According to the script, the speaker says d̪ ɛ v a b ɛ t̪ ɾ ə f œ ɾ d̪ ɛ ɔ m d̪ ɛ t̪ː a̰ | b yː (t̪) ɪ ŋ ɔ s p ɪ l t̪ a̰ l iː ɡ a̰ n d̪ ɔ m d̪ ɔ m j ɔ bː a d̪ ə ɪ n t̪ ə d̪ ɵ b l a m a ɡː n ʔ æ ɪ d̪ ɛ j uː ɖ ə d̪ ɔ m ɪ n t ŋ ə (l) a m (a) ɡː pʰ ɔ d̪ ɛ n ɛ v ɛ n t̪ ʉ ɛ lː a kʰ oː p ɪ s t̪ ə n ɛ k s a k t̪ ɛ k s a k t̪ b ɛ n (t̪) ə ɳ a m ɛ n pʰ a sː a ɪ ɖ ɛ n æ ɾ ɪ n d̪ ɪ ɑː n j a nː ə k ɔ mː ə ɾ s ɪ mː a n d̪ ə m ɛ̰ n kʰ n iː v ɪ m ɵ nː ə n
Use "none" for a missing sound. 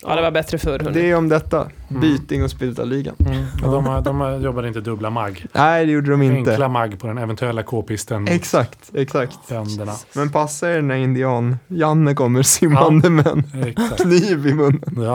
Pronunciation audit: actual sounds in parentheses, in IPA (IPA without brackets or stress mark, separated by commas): t̪, l, a, d̪